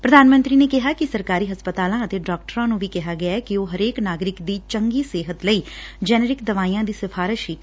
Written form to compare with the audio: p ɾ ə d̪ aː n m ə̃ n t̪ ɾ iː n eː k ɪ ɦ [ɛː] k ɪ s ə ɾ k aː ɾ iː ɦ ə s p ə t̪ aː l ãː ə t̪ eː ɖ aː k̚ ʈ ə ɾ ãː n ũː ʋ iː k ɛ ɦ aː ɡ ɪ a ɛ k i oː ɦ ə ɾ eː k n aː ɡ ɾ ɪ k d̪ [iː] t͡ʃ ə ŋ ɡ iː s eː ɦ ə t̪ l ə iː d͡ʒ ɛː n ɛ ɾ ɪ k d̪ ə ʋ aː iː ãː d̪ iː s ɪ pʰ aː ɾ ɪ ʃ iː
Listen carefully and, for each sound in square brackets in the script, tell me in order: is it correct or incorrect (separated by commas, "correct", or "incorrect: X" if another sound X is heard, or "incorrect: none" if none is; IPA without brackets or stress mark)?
incorrect: aː, correct